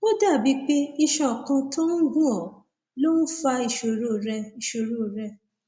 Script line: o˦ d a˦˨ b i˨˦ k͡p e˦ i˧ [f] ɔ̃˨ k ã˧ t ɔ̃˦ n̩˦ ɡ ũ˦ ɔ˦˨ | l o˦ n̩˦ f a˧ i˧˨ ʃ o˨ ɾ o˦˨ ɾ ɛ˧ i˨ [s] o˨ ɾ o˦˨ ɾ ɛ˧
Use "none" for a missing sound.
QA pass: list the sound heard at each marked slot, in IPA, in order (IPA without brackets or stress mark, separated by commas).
ʃ, ʃ